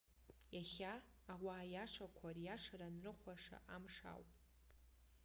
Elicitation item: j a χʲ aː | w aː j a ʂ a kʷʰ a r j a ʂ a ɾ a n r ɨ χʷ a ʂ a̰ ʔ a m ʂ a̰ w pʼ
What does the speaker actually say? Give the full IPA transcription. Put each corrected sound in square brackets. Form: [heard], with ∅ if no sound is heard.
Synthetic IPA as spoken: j a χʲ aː | w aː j a ʂ a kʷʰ a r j a ʂ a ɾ a n r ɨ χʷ a ʂ a̰ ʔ a m ʂ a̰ w pʼ